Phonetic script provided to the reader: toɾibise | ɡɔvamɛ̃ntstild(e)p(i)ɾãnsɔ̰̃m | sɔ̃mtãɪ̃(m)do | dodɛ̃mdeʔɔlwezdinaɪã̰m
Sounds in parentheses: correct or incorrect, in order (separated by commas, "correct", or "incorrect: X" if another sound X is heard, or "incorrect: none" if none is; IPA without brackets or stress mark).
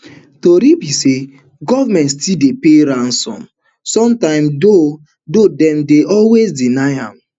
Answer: correct, incorrect: e, correct